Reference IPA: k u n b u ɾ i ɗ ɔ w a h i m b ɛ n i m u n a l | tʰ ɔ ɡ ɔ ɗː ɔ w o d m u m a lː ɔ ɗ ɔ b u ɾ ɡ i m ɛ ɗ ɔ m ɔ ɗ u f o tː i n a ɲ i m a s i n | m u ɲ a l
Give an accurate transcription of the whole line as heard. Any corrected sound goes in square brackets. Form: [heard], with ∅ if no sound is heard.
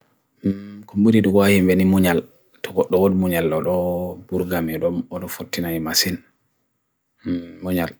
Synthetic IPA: k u [m] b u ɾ i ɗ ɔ w a h i m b ɛ n i m u [ɲ] a l | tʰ ɔ ɡ ɔ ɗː ɔ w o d m u [ɲ] a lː ɔ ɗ ɔ b u ɾ ɡ [a] m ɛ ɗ ɔ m ɔ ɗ [ɔ] f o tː i n a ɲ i m a s i n | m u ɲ a l